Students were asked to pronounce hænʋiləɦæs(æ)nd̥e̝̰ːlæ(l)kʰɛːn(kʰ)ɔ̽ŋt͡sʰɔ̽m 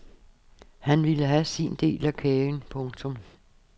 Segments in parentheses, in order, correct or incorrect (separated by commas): incorrect, incorrect, incorrect